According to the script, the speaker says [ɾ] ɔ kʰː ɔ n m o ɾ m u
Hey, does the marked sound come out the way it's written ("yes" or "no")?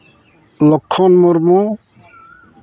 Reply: no